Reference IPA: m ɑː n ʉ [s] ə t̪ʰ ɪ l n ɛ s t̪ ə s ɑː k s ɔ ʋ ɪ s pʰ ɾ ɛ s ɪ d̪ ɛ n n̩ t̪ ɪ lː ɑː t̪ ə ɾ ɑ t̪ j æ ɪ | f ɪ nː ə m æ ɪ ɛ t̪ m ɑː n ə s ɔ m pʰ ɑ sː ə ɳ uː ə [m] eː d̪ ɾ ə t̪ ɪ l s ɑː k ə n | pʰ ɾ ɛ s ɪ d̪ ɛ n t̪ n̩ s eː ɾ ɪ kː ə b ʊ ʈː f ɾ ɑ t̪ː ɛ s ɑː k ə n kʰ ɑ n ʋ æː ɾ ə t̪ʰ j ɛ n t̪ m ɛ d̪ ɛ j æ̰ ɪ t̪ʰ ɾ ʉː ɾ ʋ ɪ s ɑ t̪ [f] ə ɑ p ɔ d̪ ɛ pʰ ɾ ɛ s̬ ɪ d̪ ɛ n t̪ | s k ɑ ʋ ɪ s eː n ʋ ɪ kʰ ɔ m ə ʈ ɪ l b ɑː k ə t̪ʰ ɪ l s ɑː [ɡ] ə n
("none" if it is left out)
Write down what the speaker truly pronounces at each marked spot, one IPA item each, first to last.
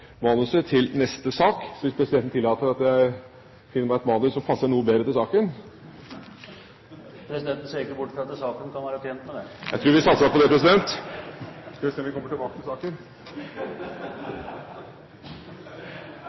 s, b, s, k

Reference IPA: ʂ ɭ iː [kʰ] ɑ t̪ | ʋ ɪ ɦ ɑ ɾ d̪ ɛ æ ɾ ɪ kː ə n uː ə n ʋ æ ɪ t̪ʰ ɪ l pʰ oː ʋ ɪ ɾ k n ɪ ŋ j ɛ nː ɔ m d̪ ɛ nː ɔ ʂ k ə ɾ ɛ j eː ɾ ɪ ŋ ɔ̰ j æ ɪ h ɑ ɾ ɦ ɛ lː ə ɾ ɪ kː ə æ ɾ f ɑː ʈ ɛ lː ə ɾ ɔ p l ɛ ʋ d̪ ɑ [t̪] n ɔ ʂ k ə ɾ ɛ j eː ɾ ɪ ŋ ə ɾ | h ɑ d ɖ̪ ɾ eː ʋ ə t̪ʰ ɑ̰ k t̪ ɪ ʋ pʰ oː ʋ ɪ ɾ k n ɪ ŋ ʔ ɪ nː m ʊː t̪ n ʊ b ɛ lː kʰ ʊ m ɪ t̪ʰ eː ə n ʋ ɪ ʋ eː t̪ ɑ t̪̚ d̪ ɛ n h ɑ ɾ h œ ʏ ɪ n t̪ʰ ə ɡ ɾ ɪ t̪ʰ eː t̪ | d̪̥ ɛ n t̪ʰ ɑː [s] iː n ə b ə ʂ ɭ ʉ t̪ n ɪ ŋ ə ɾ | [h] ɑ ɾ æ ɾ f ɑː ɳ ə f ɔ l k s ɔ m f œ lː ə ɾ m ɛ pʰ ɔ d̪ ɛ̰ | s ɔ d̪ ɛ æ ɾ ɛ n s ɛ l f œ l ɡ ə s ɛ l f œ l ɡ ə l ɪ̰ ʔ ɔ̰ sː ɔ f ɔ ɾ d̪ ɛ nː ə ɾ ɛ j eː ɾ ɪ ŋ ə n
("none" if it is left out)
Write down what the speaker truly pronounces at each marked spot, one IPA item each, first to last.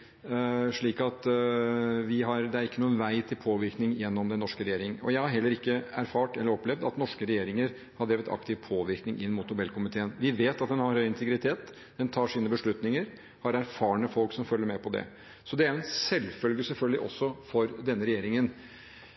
k, t̪, ʂ, h

